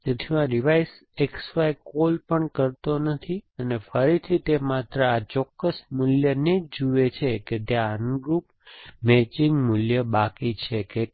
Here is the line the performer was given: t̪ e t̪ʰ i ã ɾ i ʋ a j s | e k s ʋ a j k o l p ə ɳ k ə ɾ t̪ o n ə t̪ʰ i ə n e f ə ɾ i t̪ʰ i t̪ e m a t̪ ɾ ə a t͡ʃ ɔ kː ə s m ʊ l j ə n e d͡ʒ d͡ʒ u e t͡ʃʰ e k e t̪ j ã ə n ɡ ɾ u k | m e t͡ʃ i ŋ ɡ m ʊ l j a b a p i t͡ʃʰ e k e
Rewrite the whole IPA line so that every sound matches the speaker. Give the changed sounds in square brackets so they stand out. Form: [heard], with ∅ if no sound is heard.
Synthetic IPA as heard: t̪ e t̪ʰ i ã ɾ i ʋ a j s | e k s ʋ a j k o l p ə ɳ k ə ɾ t̪ o n ə t̪ʰ i ə n e f ə ɾ i t̪ʰ i t̪ e m a t̪ ɾ ə a t͡ʃ ɔ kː ə s m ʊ l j ə n e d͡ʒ d͡ʒ u e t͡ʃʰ e k e t̪ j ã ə n ɡ ɾ u [p] | m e t͡ʃ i ŋ ɡ m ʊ l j [ə] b a [k] i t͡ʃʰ e k e